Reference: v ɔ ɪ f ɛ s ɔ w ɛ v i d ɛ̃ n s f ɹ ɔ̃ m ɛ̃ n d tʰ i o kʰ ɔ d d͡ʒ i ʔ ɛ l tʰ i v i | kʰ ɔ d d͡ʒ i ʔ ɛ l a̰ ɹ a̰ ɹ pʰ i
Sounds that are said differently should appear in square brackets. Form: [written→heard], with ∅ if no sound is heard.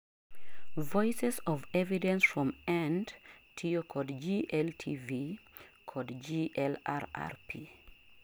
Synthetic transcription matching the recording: v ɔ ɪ [f→s] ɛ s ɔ [w→v] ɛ v i d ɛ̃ n s f ɹ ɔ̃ m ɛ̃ n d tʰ i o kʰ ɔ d d͡ʒ i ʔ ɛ l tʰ i v i | kʰ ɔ d d͡ʒ i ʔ ɛ l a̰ ɹ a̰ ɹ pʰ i